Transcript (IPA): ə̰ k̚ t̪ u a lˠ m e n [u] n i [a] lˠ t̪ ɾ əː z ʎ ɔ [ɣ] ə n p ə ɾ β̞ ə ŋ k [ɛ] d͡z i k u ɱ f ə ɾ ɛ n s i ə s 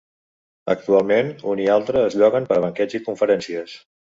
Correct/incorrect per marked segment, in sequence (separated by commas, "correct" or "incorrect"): correct, correct, correct, correct